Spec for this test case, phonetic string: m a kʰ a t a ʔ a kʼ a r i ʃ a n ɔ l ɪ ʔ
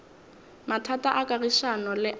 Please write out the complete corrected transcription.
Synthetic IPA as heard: m a tʰ a t a ʔ a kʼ a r i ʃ a n ɔ l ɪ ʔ